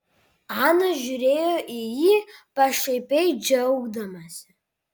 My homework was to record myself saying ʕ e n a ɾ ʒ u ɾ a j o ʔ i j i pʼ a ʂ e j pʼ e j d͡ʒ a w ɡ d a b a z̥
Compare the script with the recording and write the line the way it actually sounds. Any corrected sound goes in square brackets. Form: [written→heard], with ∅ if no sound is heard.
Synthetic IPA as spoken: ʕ [e→a] n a [ɾ→∅] ʒ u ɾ [a→e] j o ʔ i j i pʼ a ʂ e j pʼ e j d͡ʒ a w ɡ d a [b→m] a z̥